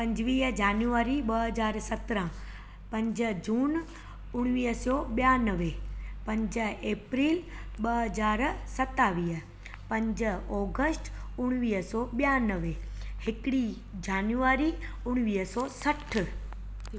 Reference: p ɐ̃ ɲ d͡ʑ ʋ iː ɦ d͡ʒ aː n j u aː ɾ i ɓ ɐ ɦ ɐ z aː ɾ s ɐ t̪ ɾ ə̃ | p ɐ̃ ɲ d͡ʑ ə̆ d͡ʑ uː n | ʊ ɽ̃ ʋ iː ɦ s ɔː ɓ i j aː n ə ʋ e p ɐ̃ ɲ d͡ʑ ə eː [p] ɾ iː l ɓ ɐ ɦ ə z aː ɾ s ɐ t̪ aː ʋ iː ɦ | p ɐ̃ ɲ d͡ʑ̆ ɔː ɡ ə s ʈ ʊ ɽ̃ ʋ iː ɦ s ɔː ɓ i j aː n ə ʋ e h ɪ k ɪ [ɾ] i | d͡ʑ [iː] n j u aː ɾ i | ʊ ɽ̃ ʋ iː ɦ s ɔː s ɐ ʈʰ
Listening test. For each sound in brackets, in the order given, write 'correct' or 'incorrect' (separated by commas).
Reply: correct, incorrect, incorrect